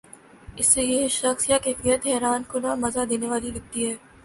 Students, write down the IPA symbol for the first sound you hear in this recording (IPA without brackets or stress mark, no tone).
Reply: ɪ